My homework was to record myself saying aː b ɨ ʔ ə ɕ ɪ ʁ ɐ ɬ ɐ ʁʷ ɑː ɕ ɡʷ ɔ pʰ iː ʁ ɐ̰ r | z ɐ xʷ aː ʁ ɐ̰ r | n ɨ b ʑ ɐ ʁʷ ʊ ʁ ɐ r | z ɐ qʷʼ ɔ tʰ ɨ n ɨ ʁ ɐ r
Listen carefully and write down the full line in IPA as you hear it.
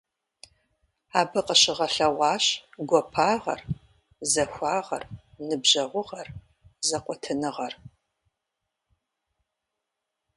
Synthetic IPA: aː b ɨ q ə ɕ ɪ ʁ ɐ ɬ ɐ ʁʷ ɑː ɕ ɡʷ ɔ pʰ aː ʁ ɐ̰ r | z ɐ xʷ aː ʁ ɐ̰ r | n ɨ b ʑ ɐ ʁʷ ʊ ʁ ɐ r | z ɐ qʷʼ ɔ tʰ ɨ n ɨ ʁ ɐ r